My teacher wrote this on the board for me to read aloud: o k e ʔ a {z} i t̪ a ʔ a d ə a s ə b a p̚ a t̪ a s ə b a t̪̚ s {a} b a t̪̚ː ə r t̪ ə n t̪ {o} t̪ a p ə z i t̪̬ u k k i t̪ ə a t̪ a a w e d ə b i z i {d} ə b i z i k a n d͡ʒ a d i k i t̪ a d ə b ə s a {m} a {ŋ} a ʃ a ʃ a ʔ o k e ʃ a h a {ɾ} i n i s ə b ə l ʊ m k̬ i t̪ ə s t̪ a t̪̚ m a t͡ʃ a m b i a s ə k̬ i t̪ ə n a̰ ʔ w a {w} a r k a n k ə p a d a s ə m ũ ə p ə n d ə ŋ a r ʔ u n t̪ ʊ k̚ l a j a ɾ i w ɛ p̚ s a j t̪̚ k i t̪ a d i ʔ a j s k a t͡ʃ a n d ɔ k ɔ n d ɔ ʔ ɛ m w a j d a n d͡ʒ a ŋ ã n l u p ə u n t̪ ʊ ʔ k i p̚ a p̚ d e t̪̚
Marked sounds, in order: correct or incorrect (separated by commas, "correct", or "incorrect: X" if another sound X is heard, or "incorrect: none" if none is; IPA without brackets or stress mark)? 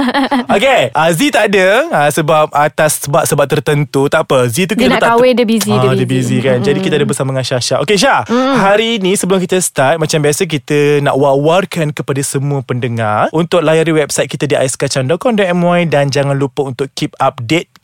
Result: correct, incorrect: ə, incorrect: u, correct, correct, correct, correct, correct